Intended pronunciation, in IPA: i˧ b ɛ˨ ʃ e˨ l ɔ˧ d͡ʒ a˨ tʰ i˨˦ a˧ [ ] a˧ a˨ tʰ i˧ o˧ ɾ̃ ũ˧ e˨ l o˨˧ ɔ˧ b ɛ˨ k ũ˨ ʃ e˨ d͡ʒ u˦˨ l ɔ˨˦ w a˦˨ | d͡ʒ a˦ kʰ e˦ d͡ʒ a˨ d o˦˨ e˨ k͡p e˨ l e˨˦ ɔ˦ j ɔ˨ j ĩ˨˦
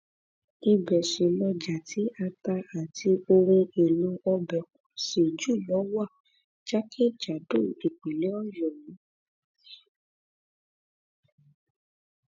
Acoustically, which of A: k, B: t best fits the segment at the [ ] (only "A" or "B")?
B